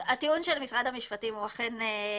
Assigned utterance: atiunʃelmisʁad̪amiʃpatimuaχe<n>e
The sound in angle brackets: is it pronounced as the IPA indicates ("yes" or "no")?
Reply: yes